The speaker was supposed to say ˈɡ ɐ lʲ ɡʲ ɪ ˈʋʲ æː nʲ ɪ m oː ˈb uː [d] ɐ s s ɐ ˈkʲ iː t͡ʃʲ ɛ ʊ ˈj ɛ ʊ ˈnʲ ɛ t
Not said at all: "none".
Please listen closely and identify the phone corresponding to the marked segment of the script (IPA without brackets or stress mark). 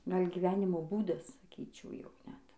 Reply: d